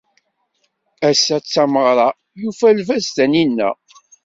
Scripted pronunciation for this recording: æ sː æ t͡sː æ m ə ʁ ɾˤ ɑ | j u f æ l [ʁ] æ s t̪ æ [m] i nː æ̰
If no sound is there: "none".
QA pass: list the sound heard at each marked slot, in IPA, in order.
v, n

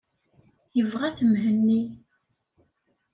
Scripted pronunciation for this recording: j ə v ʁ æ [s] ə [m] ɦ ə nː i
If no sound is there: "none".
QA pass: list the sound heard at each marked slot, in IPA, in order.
θ, m

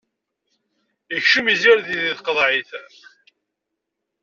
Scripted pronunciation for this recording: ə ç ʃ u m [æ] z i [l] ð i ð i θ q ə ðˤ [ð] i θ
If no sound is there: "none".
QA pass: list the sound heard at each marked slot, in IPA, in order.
i, ɾ, ʕ

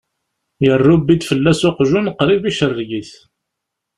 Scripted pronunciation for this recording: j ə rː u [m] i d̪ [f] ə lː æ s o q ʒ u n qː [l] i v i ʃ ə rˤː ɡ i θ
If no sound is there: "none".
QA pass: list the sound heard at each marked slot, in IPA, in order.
b, f, ɾ

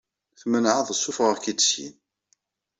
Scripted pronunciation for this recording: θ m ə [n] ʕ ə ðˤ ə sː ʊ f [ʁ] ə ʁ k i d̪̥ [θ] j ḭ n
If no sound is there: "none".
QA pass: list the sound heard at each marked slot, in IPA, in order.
n, ʁ, s

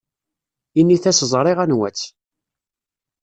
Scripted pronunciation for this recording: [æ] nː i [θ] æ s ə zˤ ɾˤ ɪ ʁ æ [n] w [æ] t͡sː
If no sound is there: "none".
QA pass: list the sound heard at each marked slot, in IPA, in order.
i, θ, n, æ

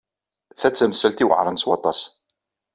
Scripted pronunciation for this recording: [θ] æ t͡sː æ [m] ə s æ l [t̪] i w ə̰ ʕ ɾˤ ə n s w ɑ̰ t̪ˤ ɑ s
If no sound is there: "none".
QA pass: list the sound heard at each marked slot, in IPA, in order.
θ, m, t̪

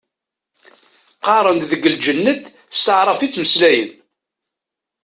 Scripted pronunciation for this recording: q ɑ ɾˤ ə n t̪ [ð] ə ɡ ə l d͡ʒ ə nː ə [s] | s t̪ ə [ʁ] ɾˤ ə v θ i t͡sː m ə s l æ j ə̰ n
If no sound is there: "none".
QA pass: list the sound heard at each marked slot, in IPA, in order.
ð, θ, ʕ

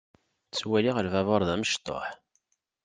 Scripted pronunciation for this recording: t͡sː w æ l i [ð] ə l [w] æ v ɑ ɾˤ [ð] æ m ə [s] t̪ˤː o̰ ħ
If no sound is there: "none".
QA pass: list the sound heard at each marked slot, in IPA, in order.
ʁ, v, ð, ʃ

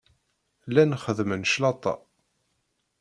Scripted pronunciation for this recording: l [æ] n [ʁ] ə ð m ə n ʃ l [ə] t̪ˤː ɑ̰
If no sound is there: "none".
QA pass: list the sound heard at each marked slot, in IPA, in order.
æ, χ, ɑ

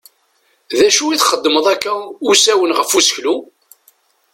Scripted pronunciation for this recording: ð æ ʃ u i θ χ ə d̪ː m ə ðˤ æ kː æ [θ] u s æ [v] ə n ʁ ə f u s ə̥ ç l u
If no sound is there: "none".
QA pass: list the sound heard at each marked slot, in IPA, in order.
none, w

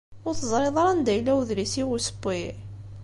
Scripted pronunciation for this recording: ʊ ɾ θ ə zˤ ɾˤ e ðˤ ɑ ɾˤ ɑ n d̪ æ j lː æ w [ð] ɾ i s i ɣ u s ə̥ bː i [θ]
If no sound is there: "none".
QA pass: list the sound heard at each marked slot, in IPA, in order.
ð, none

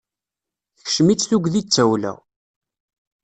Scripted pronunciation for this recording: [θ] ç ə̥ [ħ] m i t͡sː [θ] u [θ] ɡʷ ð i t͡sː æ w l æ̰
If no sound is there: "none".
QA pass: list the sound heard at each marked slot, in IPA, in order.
θ, ʃ, θ, none

